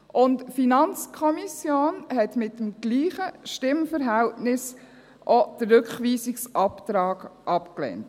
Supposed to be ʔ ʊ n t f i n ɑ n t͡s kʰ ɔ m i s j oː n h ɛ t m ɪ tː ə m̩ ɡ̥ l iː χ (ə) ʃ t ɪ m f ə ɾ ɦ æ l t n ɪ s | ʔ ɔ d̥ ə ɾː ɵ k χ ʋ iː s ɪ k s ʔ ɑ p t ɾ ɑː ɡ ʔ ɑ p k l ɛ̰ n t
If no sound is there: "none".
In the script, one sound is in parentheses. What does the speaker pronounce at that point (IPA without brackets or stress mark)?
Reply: ə